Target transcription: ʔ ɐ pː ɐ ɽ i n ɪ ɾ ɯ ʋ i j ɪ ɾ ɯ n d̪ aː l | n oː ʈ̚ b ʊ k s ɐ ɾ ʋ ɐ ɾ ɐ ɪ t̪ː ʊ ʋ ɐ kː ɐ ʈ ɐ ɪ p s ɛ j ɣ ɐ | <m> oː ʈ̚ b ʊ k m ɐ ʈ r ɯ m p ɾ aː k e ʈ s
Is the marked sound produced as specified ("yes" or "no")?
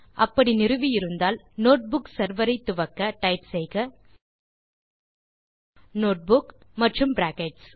no